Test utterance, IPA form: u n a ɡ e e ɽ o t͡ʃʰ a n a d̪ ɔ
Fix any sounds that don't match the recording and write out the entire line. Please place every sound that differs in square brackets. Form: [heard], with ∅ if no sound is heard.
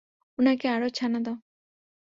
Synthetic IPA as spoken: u n a [k] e [a] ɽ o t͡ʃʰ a n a d̪ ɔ

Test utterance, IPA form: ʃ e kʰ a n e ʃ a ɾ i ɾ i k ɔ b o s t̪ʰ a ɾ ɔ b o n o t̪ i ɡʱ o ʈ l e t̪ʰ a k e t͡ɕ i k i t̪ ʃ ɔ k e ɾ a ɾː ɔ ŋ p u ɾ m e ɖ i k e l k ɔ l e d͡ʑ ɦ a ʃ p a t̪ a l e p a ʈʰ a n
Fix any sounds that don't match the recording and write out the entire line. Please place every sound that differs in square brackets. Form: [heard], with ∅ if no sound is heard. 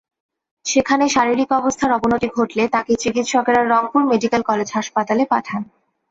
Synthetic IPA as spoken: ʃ e kʰ a n e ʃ a ɾ i ɾ i k ɔ b o s t̪ʰ a ɾ ɔ b o n o t̪ i ɡʱ o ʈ l e [t̪] a k e t͡ɕ i k i t̪ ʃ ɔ k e ɾ a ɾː ɔ ŋ p u ɾ m e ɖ i k e l k ɔ l e d͡ʑ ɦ a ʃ p a t̪ a l e p a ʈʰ a n

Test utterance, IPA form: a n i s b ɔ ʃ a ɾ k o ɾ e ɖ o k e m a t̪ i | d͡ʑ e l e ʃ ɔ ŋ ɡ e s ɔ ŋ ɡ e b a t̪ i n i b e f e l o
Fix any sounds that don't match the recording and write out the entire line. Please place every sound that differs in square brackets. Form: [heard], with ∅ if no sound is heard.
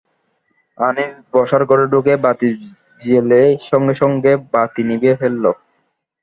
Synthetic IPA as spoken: a n i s b ɔ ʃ a ɾ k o ɾ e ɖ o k e [b] a t̪ i | d͡ʑ e l e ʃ ɔ ŋ ɡ e [ʃ] ɔ ŋ ɡ e b a t̪ i n i b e f e [lː] o

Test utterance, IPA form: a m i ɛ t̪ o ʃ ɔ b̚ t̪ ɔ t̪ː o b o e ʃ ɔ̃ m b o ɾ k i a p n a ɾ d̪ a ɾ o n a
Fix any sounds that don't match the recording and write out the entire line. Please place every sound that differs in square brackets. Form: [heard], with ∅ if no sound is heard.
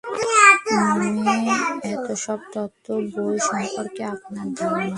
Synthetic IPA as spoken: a m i ɛ t̪ o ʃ ɔ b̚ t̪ ɔ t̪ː o b o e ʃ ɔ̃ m [p] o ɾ k [e] a p n a ɾ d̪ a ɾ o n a

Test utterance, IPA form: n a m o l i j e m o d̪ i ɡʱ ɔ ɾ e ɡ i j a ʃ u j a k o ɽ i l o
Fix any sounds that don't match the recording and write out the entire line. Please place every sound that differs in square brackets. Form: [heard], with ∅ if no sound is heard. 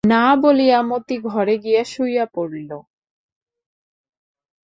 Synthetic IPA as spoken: n a [b] o l i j [a] m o [t̪] i ɡʱ ɔ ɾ e ɡ i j a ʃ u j a [p] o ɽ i l o

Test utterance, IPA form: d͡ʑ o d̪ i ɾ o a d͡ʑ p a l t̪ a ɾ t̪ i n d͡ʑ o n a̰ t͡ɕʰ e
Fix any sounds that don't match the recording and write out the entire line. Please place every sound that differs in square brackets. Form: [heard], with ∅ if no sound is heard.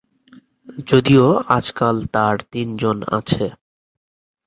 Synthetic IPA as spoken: d͡ʑ o d̪ i [∅] o a d͡ʑ [k] a l t̪ a ɾ t̪ i n d͡ʑ o n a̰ t͡ɕʰ e

